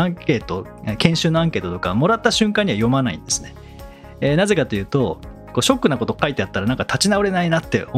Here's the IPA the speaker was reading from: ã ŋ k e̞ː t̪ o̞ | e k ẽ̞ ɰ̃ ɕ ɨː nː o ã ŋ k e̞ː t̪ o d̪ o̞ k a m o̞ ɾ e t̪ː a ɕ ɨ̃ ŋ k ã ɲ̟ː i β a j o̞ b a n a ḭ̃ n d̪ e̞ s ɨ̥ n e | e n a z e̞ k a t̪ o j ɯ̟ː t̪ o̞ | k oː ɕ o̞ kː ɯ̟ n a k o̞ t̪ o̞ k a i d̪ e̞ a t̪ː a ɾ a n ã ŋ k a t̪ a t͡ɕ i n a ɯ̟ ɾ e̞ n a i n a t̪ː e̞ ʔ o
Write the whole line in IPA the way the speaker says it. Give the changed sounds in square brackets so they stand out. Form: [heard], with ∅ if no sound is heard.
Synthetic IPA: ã ŋ k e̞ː t̪ o̞ | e k ẽ̞ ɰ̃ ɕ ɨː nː o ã ŋ k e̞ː t̪ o [t̪] o̞ k a m o̞ ɾ [a] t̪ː a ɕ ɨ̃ ŋ k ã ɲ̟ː i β a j o̞ [m] a n a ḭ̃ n d̪ e̞ s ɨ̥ n e | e n a z e̞ k a t̪ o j ɯ̟ː t̪ o̞ | k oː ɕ o̞ kː ɯ̟ n a k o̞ t̪ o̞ k a i [t̪] e̞ a t̪ː a ɾ a n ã ŋ k a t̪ a t͡ɕ i n a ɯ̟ ɾ e̞ n a i n a t̪ː e̞ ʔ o